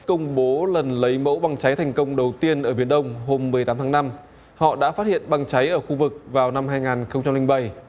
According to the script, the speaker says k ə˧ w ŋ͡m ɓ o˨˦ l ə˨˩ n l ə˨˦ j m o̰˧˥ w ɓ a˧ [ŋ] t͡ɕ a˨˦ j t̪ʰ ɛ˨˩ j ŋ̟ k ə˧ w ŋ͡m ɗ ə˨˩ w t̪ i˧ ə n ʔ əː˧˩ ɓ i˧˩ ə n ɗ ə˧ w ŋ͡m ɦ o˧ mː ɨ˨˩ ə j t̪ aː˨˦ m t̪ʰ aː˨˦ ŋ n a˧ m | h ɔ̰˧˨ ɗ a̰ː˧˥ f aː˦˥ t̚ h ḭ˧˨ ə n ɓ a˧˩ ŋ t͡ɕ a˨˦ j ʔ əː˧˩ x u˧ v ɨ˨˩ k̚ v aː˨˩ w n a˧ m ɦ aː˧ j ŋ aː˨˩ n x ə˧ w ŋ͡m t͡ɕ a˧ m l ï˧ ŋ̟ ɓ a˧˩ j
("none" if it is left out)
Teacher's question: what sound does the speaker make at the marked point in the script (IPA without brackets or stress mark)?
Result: ŋ